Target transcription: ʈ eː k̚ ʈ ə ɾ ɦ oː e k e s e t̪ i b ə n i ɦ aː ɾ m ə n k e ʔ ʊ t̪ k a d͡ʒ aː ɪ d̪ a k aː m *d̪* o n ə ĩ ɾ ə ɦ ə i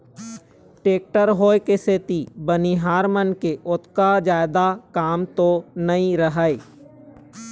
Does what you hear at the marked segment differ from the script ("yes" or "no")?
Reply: yes